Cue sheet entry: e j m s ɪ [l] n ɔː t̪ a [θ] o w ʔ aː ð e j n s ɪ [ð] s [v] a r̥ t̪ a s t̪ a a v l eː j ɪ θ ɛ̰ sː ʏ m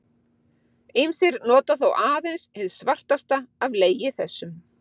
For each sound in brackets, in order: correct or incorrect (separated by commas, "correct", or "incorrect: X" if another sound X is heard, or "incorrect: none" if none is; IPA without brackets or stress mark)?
incorrect: ɾ, correct, correct, correct